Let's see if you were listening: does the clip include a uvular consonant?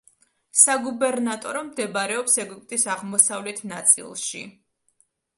yes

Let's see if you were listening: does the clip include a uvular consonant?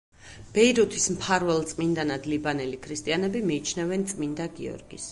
no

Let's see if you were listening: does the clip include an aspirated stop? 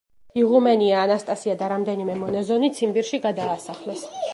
no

